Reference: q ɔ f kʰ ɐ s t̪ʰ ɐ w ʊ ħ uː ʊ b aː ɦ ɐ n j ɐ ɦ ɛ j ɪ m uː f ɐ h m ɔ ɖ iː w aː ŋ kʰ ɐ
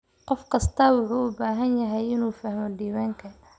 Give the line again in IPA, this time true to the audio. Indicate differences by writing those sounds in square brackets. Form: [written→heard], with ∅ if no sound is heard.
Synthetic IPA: q ɔ f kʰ ɐ s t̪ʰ ɐ w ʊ ħ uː ʊ b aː ɦ ɐ n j ɐ ɦ ɛ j ɪ [m→n] uː f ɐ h m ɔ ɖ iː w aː ŋ kʰ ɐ